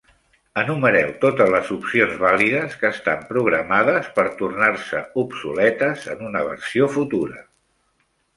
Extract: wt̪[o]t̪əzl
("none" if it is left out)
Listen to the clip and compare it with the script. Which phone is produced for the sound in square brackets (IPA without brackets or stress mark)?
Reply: o